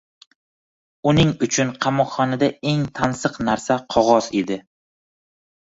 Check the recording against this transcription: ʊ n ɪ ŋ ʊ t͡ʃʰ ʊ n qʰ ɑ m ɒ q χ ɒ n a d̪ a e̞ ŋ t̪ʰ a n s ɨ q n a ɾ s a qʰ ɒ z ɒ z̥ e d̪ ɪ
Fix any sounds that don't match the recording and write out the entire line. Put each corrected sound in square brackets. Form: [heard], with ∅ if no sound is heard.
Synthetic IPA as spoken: ʊ n ɪ ŋ ʊ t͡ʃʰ ʊ n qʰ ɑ m ɒ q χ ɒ n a d̪ a e̞ ŋ t̪ʰ a n s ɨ q n a ɾ s a qʰ ɒ [ʁ] ɒ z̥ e d̪ ɪ